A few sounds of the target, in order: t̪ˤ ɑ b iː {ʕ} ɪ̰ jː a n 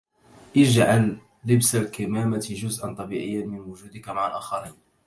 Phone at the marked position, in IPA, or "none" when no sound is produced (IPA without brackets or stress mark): ʕ